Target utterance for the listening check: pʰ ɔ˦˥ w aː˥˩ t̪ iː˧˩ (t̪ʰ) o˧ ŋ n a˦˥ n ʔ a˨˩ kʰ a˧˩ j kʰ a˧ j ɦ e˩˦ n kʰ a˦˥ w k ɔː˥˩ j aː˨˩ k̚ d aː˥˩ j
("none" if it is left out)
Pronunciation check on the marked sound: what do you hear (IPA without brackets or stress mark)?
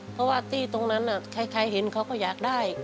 t̪